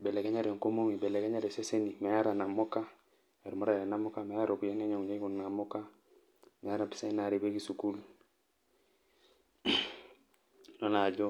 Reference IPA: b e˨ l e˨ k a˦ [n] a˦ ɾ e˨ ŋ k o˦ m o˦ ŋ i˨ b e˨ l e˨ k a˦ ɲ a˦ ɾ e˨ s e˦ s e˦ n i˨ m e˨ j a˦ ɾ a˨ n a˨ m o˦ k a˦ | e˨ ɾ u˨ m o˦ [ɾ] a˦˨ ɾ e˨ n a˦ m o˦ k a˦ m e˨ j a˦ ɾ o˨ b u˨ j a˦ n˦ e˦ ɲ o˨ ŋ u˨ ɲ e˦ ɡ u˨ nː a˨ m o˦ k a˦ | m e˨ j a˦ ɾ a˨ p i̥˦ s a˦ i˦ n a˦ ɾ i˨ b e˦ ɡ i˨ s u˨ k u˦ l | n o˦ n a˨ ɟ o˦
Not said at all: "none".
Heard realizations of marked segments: ɲ, ɾ

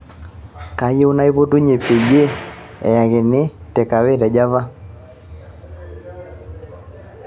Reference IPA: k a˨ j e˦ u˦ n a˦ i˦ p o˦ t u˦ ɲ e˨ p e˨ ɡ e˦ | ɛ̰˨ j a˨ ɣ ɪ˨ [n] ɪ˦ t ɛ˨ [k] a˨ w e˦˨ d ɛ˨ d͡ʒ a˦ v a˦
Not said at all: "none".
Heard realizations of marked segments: n, k

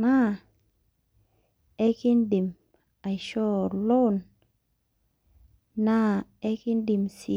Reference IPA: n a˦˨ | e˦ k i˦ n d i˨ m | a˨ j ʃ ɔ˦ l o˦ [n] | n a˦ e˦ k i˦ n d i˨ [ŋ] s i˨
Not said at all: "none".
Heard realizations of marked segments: n, m

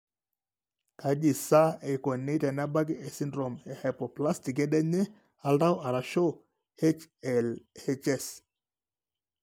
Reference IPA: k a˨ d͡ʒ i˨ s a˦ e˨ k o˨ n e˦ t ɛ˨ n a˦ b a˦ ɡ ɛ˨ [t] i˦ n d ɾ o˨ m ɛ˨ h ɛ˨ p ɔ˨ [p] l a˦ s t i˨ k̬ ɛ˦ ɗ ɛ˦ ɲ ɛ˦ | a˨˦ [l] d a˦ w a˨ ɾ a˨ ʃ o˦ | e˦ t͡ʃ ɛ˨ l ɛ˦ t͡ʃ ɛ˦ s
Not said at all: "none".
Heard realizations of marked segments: s, p, l

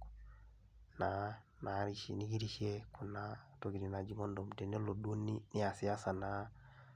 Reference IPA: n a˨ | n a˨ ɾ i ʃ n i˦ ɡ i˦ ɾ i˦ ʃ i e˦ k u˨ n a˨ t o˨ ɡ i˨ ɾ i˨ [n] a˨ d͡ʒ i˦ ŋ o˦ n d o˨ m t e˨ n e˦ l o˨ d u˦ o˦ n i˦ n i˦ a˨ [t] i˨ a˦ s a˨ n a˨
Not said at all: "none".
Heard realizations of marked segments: n, s

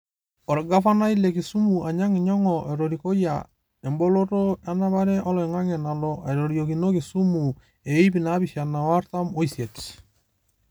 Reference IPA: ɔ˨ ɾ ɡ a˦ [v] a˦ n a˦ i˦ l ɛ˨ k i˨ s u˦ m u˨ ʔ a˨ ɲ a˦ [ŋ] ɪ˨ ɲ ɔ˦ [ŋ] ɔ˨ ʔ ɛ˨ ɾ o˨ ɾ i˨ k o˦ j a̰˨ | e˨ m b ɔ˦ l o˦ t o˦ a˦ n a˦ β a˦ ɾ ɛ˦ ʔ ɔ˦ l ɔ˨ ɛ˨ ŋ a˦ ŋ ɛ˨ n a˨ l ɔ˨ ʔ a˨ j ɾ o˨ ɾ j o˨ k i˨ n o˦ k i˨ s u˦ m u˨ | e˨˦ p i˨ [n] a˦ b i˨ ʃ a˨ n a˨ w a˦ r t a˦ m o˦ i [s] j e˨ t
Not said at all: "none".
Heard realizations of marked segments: f, ŋ, ŋ, n, s

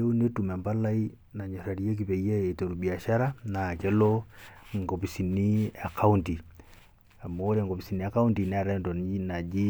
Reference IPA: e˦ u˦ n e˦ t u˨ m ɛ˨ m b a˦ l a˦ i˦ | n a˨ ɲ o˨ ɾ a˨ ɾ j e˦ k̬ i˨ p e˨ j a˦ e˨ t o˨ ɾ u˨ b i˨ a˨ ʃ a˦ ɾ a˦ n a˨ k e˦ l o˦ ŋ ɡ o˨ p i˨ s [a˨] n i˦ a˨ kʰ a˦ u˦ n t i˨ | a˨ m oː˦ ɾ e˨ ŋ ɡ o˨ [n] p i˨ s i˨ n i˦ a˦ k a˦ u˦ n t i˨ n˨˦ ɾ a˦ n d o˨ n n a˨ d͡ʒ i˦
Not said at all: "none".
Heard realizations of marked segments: i˨, none

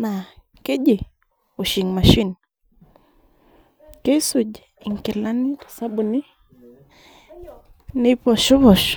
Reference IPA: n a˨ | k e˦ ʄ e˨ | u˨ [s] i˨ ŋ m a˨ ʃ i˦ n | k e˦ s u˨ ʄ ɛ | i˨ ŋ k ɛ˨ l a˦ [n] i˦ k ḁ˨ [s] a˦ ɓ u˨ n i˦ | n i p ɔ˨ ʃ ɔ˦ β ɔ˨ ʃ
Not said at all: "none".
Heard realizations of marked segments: ʃ, n, s

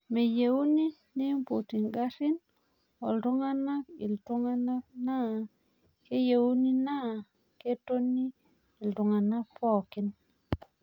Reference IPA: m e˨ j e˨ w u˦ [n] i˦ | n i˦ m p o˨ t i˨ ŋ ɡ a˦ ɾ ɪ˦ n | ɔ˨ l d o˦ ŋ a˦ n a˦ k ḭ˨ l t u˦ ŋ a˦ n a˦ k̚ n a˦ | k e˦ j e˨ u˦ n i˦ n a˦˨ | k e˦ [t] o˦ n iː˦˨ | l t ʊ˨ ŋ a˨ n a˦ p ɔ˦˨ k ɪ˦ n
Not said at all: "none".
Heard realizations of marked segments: n, t

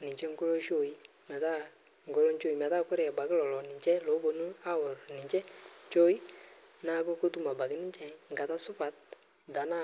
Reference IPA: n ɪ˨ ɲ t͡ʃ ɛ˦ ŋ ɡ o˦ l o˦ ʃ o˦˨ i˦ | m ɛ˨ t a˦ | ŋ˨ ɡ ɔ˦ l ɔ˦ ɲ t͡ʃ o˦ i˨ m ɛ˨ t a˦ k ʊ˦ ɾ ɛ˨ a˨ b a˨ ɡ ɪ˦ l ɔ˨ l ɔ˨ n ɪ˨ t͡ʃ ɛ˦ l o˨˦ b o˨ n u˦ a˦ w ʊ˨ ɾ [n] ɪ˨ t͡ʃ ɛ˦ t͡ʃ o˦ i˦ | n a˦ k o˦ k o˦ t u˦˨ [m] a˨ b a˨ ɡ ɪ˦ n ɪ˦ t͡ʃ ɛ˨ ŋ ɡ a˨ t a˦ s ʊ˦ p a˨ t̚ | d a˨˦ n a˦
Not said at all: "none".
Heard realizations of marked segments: n, m

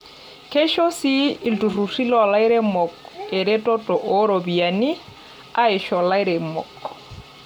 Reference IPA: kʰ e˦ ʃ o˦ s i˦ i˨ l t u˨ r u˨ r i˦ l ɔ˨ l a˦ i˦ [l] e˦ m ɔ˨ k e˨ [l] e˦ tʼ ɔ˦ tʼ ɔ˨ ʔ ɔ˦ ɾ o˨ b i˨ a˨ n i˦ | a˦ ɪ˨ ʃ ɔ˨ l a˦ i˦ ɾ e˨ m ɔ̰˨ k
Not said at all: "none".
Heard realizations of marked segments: ɾ, ɾ

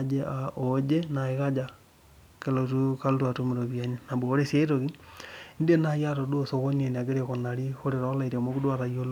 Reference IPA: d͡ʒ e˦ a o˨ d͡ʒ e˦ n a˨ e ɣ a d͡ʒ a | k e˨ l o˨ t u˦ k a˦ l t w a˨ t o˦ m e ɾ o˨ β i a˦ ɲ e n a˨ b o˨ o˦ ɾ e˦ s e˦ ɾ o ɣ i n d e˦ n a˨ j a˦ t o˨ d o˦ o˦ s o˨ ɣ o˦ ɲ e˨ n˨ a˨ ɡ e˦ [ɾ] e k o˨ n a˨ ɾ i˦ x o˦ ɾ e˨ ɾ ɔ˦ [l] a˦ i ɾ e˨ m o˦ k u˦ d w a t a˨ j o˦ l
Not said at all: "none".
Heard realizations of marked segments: ɾ, l

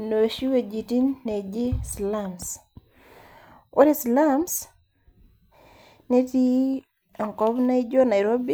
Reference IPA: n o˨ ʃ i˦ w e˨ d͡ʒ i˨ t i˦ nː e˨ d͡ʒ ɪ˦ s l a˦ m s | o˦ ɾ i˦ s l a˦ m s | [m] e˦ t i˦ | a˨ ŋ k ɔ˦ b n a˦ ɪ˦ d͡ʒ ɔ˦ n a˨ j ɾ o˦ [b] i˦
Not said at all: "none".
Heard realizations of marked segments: n, b

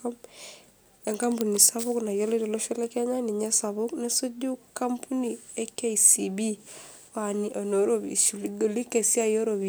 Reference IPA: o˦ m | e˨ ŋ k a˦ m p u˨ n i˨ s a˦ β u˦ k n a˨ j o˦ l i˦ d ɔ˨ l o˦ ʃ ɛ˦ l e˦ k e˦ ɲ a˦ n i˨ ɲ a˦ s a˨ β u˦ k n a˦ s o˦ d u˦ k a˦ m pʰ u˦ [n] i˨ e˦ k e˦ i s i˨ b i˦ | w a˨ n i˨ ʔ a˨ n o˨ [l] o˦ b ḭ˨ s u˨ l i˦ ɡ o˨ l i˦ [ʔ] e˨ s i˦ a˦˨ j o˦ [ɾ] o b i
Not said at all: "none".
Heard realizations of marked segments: n, ɾ, k, ɾ

